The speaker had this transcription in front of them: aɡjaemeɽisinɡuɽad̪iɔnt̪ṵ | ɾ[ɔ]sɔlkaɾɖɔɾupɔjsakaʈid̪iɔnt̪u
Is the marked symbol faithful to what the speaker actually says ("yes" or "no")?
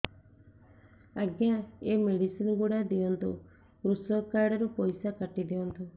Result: no